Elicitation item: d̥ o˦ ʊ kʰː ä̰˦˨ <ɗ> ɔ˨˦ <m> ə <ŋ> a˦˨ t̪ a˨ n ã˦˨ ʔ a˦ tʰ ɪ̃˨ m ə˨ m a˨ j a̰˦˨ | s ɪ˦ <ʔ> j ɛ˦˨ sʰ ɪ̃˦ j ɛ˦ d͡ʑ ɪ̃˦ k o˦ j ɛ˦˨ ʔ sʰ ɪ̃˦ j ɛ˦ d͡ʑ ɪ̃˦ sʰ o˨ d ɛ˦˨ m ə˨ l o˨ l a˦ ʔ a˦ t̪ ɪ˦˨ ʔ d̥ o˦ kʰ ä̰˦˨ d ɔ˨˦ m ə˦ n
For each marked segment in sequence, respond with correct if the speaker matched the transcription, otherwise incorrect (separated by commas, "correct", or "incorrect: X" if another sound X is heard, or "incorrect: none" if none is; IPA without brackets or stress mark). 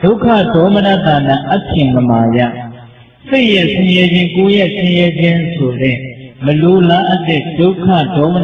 incorrect: d, correct, incorrect: n, correct